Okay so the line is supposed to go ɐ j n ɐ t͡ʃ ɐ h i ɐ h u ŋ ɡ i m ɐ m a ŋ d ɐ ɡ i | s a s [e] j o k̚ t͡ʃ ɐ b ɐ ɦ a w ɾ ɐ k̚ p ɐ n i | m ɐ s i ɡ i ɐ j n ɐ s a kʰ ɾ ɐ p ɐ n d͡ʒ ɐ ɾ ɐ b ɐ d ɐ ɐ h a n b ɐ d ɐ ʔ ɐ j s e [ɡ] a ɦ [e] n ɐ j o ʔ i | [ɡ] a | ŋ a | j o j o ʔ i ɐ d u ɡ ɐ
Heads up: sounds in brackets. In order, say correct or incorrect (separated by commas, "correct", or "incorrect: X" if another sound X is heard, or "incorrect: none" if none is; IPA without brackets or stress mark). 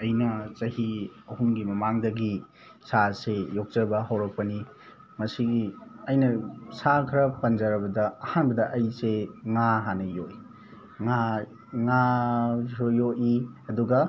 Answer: correct, incorrect: ŋ, incorrect: a, incorrect: ŋ